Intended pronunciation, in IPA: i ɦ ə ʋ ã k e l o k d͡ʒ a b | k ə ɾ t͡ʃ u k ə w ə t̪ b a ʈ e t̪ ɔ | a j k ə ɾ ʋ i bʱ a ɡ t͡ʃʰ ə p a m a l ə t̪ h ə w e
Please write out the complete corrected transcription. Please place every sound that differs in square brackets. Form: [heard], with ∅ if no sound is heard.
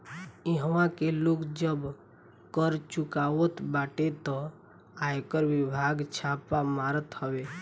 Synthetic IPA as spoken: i ɦ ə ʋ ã k e l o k d͡ʒ [ə] b | k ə ɾ t͡ʃ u k [a] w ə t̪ b a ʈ e t̪ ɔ | a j k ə ɾ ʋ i bʱ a ɡ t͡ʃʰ [a] p a m a [ɾ] ə t̪ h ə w e